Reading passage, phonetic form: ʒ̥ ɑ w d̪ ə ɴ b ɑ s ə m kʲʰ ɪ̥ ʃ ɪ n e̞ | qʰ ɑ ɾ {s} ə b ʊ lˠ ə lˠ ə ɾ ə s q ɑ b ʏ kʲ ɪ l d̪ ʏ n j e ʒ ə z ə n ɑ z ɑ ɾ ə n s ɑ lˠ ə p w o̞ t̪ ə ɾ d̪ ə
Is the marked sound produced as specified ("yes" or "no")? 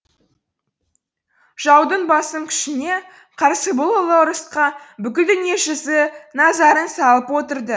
yes